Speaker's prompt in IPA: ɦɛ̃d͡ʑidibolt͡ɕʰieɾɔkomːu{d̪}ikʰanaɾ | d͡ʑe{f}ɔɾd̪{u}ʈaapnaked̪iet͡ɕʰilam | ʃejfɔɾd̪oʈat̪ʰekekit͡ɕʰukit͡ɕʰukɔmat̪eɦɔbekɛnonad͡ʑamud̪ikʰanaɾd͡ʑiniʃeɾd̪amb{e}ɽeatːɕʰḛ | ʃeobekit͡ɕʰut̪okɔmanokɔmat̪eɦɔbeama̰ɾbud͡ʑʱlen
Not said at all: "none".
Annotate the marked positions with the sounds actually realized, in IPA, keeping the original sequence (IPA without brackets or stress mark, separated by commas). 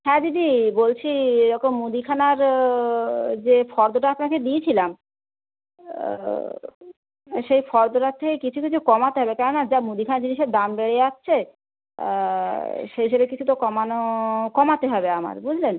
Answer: d̪, f, o, e